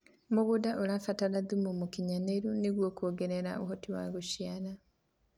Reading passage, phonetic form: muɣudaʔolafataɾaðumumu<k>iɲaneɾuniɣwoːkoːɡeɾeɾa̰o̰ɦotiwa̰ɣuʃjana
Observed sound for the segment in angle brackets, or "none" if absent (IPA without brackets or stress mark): k